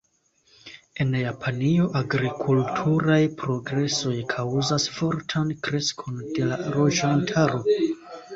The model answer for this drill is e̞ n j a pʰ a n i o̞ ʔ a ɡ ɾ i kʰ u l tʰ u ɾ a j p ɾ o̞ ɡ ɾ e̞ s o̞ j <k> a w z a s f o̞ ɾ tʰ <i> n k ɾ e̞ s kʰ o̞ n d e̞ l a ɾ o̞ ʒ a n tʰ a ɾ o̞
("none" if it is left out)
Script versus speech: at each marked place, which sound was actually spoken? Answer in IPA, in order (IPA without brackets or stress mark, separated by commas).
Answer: kʰ, a